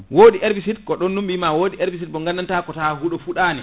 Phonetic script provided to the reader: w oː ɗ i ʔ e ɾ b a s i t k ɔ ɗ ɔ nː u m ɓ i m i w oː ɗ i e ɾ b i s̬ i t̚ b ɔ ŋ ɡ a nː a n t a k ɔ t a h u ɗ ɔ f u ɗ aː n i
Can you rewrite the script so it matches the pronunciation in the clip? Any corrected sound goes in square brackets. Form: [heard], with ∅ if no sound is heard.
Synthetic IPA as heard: w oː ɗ i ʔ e ɾ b [i] s i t k ɔ ɗ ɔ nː u m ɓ i m [a] w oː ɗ i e ɾ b i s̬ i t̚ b ɔ ŋ ɡ a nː a n t a k ɔ t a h u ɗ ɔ f u ɗ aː n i